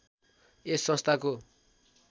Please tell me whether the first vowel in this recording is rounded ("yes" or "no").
no